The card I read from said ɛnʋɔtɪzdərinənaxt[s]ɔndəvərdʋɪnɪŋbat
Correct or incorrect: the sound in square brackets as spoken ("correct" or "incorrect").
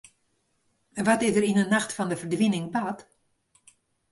incorrect